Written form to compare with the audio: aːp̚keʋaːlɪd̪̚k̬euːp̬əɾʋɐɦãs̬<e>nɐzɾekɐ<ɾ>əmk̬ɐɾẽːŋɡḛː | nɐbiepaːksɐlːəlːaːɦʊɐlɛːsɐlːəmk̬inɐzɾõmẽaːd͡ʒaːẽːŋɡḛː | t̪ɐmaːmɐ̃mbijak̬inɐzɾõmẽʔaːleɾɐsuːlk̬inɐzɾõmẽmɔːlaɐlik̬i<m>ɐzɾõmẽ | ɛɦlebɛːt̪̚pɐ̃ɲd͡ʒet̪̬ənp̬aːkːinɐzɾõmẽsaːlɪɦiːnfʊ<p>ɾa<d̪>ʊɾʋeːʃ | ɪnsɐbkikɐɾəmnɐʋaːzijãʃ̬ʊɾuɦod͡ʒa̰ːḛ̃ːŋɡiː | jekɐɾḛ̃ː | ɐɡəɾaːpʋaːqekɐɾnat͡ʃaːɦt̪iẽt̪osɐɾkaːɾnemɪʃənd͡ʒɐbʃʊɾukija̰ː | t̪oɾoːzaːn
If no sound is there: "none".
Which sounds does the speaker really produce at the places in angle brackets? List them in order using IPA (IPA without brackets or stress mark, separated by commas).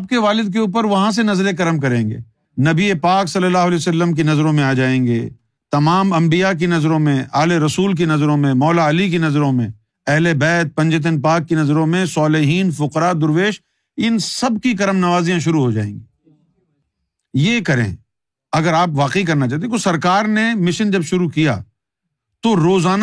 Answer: e, ɾ, n, q, d̪